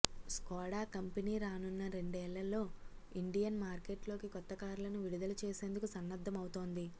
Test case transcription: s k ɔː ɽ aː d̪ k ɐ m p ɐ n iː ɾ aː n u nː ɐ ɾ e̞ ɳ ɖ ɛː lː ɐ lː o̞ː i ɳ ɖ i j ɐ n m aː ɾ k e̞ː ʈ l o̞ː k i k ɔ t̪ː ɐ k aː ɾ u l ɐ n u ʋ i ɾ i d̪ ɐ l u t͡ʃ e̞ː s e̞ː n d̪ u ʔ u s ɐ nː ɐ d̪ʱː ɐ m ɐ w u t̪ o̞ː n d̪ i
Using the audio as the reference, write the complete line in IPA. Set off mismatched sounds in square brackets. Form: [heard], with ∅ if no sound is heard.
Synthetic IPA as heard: s k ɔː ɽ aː [∅] k ɐ m p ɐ n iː ɾ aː n u nː ɐ ɾ e̞ ɳ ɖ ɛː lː ɐ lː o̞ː i ɳ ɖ i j ɐ n m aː ɾ k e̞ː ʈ l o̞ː k i k ɔ t̪ː ɐ k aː ɾ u l ɐ n u ʋ i [ɽ] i d̪ ɐ l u t͡ʃ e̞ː s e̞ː n d̪ u [k] u s ɐ nː ɐ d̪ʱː ɐ m ɐ w u t̪ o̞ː n d̪ i